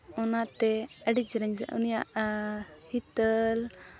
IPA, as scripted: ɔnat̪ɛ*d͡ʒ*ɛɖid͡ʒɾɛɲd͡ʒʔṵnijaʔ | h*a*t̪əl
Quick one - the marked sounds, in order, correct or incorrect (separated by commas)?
incorrect, incorrect